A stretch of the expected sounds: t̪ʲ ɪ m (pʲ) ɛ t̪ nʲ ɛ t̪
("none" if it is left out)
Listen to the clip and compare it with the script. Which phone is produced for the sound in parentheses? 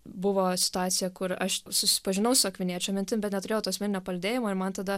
bʲ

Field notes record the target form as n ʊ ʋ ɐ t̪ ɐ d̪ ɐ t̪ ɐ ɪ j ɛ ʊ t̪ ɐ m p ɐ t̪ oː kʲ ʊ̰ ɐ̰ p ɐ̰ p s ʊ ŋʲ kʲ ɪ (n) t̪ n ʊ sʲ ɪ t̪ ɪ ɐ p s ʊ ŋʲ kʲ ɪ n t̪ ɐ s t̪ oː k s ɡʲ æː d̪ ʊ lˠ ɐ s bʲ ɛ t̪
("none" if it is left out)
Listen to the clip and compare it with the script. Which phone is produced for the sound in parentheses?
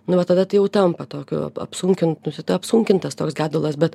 n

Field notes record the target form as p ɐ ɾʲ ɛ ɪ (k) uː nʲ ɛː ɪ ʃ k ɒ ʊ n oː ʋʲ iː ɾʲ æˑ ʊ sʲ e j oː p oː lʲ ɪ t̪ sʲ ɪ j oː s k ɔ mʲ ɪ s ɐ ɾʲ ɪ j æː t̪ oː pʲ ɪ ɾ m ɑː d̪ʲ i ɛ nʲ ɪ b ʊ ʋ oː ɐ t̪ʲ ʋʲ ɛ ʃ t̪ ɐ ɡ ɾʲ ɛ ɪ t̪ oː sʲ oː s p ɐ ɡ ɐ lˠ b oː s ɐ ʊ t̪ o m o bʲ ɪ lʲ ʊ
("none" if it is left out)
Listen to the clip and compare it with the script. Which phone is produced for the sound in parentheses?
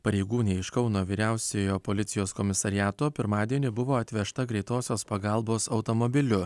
ɡ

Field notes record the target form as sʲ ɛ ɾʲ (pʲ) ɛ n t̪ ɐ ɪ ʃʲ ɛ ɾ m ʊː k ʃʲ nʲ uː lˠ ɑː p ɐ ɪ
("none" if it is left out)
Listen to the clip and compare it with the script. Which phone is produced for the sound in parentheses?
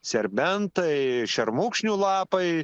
bʲ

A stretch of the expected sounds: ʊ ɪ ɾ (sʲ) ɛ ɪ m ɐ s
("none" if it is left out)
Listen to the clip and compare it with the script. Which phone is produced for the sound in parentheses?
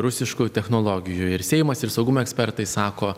sʲ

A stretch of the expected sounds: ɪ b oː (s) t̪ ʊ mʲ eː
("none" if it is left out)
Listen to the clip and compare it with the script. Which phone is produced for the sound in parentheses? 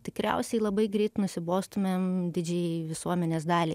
s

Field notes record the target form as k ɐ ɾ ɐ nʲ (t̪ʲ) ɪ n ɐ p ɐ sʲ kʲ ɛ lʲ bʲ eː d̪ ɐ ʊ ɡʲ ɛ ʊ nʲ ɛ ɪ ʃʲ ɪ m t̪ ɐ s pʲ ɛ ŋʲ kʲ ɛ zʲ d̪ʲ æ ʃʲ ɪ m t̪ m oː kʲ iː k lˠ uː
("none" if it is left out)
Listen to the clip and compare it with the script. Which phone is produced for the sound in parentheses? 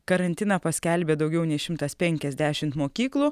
t̪ʲ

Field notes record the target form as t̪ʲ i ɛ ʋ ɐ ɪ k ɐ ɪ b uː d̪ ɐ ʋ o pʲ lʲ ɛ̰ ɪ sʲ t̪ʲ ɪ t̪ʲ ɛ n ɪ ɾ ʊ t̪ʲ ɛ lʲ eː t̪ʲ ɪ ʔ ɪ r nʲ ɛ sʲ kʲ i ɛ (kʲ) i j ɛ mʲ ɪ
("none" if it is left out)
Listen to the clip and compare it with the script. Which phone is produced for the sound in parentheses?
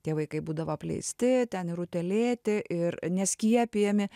pʲ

